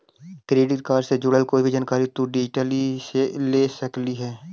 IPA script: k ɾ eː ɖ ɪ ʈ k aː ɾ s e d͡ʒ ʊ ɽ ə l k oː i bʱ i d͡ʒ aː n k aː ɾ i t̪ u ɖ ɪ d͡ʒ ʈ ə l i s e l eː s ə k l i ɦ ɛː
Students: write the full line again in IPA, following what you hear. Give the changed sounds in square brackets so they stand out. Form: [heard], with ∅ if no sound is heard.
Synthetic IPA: k ɾ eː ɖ ɪ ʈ k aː ɾ s e d͡ʒ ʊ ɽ ə l k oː i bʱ i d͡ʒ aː n k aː ɾ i t̪ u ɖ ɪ d͡ʒ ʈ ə l i s e l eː s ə k l i ɦ ɛː